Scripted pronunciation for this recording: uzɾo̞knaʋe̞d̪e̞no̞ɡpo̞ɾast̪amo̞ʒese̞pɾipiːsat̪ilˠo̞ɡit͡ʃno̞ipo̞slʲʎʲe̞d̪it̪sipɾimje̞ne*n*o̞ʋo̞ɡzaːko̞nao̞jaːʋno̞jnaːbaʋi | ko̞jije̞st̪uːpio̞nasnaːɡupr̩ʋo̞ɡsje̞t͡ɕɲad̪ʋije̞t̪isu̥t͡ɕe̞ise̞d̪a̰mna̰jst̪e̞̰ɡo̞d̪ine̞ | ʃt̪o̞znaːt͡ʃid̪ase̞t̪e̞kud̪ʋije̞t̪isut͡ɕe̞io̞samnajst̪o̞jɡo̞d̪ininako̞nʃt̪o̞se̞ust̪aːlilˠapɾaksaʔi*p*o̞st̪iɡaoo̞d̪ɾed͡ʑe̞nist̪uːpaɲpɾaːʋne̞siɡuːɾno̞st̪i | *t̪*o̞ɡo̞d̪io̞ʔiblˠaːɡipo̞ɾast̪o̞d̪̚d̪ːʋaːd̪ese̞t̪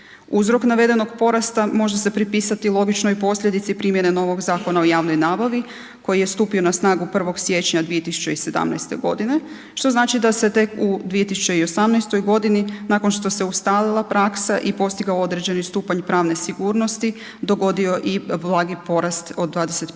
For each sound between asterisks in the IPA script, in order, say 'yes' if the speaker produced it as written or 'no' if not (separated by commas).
yes, yes, no